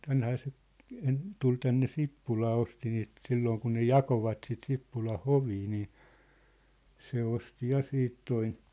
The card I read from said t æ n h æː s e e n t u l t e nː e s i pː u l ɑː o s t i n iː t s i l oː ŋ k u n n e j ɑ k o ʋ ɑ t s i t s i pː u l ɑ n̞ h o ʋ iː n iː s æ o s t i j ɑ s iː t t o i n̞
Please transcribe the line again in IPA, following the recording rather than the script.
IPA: t æ n h æː s e e n t u l t æ nː e s i pː u l ɑː o s t i n iː t s i lː oː ŋ k u n n e j ɑ k o ʋ ɑ t s i t s i pː u l ɑ n̞ h o ʋ iː n iː s e o s t i j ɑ s iː t t o i n̞